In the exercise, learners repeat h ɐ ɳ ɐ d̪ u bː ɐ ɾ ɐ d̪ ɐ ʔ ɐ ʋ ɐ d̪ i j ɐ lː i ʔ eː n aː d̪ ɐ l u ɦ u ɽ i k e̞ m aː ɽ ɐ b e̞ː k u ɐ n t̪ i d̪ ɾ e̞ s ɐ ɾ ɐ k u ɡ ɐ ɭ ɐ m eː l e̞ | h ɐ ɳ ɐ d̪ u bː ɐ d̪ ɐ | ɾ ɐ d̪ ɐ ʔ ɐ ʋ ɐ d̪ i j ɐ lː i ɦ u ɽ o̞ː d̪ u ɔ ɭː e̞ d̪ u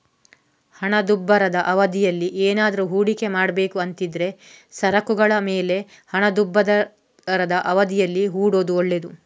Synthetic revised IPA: h ɐ ɳ ɐ d̪ u bː ɐ ɾ ɐ d̪ ɐ ʔ ɐ ʋ ɐ d̪ i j ɐ lː i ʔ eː n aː d̪ ɐ ɾ u ɦ uː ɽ i k e̞ m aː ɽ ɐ b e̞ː k u ɐ n t̪ i d̪ ɾ e̞ s ɐ ɾ ɐ k u ɡ ɐ ɭ ɐ m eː l e̞ | h ɐ ɳ ɐ d̪ u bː ɐ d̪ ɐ | ɾ ɐ d̪ ɐ ʔ ɐ ʋ ɐ d̪ i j ɐ lː i ɦ uː ɽ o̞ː d̪ u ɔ ɭː e̞ d̪ u